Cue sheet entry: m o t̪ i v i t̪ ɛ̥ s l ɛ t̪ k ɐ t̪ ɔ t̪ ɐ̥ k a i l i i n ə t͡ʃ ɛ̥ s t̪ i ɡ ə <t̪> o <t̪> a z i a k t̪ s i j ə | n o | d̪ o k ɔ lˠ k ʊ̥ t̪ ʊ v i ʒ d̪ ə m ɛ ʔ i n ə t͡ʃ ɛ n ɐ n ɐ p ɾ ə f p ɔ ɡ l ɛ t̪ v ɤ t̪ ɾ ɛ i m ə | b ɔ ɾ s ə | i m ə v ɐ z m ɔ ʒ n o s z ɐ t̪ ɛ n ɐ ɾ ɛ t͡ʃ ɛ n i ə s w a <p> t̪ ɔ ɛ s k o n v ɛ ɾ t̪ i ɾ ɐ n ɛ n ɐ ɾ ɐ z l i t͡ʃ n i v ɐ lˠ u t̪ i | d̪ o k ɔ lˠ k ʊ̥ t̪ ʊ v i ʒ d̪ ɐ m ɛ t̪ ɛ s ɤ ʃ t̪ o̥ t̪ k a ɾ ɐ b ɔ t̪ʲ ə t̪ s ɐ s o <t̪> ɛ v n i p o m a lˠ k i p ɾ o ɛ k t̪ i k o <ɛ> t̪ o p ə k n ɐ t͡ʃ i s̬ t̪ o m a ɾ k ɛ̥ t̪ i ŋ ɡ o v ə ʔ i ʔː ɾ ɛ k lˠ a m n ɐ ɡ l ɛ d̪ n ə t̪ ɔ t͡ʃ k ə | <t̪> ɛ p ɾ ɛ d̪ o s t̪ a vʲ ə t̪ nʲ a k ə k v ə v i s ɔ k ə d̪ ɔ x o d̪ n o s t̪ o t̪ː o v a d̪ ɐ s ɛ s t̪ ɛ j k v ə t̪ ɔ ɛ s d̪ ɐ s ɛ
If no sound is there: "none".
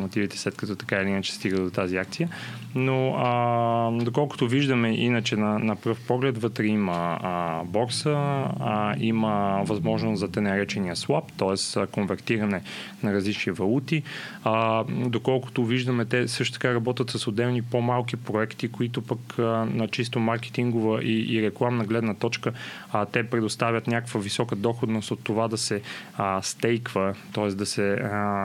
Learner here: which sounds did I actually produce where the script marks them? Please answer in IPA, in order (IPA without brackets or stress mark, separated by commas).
d̪, t̪, p, d̪, i, t̪